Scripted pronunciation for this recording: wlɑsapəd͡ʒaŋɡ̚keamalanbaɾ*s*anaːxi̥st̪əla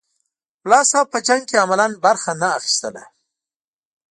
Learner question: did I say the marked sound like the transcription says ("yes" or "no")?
no